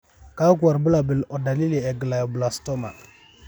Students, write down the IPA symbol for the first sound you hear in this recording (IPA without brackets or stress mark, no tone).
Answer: k